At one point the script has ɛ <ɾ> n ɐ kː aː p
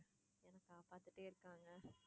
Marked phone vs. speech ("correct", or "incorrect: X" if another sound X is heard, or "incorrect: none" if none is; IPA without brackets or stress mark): incorrect: none